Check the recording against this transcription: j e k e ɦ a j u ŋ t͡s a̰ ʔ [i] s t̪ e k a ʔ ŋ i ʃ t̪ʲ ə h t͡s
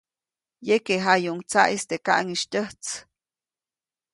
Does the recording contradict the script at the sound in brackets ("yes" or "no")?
no